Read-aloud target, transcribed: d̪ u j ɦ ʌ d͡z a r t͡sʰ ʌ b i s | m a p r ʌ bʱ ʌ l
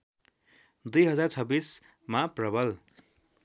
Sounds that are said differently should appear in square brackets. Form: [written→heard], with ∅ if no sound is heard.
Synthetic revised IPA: d̪ u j ɦ ʌ d͡z a r t͡sʰ ʌ b i s | m a p r ʌ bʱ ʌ l